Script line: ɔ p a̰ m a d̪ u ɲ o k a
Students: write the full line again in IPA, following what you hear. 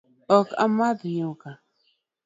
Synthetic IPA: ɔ k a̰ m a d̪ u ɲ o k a

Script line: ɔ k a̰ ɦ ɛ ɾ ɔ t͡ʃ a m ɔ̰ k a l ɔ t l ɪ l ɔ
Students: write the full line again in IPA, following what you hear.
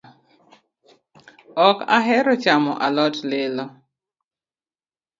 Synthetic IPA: ɔ k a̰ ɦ ɛ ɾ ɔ t͡ʃ a m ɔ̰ ʔ a l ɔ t l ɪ l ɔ

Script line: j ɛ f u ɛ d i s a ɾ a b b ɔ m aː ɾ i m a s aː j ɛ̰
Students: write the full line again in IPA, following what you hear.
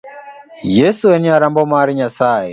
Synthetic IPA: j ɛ s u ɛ n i a ɾ a m b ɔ m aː ɾ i ɲ a s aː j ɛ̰

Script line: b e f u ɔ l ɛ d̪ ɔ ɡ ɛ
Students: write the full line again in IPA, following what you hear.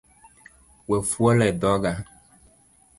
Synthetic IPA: w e f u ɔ l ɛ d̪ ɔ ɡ a

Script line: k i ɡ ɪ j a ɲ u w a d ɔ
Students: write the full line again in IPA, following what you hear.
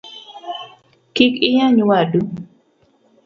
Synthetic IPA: k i k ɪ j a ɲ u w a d u

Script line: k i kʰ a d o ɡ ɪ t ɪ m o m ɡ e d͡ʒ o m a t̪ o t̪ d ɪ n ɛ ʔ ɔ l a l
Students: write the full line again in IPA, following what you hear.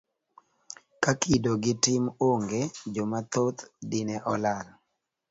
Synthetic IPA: k a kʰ i d o ɡ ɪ t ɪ m o ŋ ɡ e d͡ʒ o m a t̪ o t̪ d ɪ n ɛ ʔ ɔ l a l

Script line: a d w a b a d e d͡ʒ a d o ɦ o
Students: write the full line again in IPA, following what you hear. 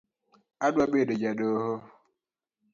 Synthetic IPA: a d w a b e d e d͡ʒ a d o ɦ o

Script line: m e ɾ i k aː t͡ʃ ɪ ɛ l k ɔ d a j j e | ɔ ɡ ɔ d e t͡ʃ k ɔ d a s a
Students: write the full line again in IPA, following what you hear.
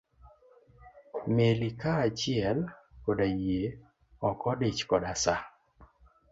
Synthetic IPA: m e l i k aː t͡ʃ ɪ ɛ l k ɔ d a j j e | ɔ k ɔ d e t͡ʃ k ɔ d a s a

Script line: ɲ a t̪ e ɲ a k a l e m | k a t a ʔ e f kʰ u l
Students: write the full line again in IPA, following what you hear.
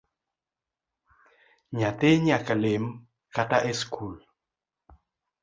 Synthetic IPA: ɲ a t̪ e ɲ a k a l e m | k a t a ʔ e s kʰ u l

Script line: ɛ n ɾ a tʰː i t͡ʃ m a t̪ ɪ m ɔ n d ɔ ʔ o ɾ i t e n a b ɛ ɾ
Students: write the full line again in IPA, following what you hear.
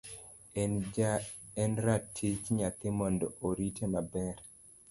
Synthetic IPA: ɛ n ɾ a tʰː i t͡ʃ ɲ a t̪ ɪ m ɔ n d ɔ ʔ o ɾ i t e n a b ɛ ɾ

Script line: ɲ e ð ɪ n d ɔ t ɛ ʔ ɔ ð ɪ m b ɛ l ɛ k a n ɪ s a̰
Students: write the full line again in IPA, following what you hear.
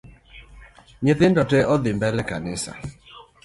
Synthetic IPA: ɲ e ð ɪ n d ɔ t ɛ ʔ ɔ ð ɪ m b ɛ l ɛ k a n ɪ s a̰

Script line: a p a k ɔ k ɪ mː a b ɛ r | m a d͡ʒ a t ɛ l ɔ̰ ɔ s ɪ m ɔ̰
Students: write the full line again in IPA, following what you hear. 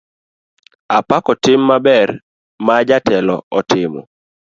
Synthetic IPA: a p a k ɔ t ɪ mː a b ɛ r | m a d͡ʒ a t ɛ l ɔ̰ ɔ t ɪ m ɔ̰

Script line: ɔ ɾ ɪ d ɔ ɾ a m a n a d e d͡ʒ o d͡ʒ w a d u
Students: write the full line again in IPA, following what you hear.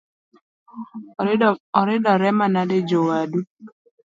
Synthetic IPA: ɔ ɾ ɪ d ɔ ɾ ɛ m a n a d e d͡ʒ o w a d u

